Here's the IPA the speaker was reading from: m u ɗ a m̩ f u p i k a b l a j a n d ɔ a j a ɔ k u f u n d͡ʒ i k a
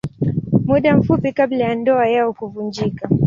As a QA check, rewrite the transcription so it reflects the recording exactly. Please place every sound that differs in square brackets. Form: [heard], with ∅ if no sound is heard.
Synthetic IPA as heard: m u ɗ a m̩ f u p i k a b l a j a n d ɔ a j a ɔ k u [v] u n d͡ʒ i k a